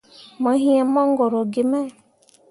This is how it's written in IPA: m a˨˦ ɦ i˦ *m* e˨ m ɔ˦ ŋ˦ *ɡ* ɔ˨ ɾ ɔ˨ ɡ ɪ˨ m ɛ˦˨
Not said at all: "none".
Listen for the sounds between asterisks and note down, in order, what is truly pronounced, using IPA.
none, ɡ

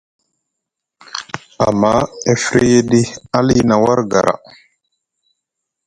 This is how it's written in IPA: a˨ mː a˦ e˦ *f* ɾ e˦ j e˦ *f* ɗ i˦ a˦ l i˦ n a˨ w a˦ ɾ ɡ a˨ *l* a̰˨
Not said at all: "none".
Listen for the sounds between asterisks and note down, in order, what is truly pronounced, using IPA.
f, none, ɾ

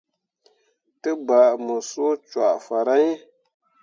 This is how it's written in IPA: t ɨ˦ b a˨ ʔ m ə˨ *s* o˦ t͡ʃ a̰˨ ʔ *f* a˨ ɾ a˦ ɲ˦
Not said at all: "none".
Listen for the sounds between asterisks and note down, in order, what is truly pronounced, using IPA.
s, f

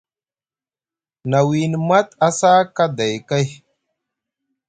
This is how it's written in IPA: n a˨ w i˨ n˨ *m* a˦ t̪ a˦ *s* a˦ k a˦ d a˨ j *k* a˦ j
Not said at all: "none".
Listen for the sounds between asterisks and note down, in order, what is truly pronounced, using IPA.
m, s, k

